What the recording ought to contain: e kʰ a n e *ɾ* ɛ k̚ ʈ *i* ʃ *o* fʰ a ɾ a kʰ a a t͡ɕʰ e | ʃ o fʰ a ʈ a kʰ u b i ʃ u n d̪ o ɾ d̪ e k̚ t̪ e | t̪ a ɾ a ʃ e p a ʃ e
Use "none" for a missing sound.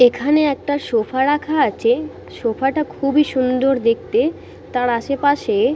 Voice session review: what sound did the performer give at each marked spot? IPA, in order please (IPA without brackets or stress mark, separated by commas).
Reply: none, a, o